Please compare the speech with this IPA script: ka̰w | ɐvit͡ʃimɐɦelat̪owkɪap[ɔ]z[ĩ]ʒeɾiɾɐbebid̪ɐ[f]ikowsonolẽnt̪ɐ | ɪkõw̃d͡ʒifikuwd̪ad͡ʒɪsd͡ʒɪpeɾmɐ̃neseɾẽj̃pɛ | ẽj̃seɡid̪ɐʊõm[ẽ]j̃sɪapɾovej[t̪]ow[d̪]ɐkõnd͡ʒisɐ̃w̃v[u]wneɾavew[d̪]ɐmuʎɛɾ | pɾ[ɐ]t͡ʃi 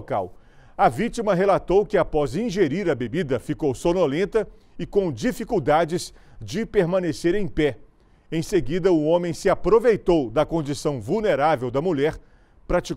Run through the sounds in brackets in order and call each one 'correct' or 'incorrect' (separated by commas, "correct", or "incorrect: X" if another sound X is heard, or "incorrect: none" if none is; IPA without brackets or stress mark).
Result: correct, correct, correct, correct, correct, correct, correct, correct, incorrect: a